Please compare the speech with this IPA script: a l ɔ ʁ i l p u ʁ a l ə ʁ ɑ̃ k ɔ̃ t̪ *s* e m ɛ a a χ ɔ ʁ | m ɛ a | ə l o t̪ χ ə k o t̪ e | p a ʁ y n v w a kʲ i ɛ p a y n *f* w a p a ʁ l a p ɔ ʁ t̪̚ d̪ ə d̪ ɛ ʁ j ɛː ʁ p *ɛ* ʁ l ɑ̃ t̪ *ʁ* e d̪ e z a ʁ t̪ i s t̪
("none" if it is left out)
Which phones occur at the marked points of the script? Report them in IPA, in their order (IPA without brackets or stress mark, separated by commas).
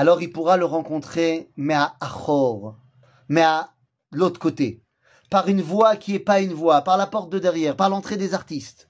χ, v, a, χ